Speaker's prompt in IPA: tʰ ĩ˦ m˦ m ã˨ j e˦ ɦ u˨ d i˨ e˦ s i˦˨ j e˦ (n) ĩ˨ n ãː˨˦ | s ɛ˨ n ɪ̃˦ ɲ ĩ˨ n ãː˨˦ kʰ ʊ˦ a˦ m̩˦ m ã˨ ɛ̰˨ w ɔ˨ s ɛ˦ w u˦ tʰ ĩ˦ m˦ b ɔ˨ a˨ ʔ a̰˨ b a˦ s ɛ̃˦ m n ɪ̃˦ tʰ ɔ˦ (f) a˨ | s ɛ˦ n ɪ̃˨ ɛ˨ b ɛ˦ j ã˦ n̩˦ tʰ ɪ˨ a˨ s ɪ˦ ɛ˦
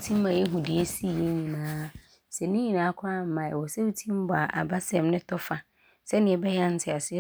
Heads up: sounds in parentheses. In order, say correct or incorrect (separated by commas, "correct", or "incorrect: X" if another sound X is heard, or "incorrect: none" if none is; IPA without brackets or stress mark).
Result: incorrect: ɲ, correct